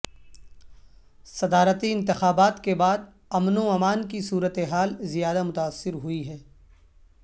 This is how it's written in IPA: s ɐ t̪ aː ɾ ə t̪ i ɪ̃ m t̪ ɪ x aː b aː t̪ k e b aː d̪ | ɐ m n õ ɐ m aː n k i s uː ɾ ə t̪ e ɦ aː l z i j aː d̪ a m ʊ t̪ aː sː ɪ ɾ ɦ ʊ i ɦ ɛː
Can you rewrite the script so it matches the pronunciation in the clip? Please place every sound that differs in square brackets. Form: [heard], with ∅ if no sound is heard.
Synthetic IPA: s ɐ [d̪] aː ɾ ə t̪ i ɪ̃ [n] t̪ ɪ x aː b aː t̪ k e b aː d̪ | ɐ m n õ ɐ m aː n k i s uː ɾ ə t̪ e ɦ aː l z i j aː d̪ a m ʊ t̪ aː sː ɪ ɾ ɦ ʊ i ɦ ɛː